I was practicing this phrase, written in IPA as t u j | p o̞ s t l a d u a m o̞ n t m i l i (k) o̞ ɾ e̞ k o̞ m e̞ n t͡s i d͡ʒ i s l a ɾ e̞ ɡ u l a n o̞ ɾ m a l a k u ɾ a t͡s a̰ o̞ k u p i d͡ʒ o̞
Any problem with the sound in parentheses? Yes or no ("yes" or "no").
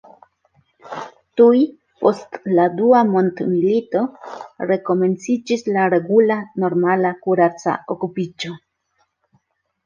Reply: yes